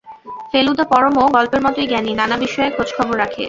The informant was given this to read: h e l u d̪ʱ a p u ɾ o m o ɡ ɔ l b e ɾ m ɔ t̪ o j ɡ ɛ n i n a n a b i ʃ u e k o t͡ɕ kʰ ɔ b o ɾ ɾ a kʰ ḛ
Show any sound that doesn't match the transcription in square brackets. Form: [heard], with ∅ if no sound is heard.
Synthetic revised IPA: [f] e l u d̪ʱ a p [ɔ] ɾ o m o ɡ ɔ l [p] e ɾ m ɔ t̪ o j ɡ ɛ n i n a n a b i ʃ [ɔ] e k o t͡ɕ kʰ ɔ b o ɾ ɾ a kʰ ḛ